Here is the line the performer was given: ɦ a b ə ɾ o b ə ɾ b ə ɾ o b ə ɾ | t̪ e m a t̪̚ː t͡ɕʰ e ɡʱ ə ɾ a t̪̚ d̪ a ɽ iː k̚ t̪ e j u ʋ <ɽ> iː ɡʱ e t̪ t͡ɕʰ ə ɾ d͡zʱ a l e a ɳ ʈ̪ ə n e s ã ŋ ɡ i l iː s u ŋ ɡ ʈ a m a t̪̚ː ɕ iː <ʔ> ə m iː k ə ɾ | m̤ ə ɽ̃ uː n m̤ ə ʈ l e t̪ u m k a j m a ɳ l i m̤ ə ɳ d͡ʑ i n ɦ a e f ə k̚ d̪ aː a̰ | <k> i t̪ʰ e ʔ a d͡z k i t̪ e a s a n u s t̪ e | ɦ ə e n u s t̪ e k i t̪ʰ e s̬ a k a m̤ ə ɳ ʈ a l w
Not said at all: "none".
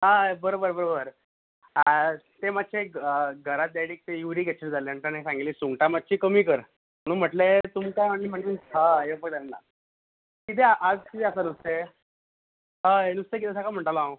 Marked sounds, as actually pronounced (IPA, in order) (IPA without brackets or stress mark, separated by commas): ɾ, k, k